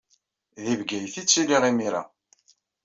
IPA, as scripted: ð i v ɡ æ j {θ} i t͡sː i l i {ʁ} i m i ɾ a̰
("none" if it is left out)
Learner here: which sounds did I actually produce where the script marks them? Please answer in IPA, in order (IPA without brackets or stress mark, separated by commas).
θ, ʁ